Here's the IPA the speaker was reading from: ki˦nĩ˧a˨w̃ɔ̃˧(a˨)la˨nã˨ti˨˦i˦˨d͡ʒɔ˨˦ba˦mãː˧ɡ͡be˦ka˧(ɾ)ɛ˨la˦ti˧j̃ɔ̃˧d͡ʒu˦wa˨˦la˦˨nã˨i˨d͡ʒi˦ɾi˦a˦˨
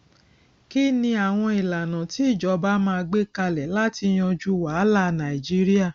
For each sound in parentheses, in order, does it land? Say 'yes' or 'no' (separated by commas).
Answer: no, no